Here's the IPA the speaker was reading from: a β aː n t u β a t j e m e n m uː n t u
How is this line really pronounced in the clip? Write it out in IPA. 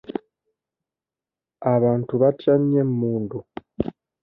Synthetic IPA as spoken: a β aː n t u β a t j a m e m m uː n d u